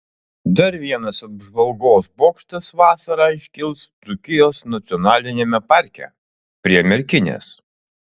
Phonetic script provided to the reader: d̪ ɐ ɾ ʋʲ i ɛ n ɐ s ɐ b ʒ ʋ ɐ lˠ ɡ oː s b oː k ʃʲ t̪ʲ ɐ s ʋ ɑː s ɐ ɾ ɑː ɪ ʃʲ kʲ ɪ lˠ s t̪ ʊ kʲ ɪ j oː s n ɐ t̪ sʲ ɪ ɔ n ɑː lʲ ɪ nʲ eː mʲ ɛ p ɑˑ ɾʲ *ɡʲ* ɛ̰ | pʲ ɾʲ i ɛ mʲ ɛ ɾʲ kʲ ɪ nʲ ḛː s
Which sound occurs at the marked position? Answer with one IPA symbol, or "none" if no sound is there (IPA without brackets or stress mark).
kʲ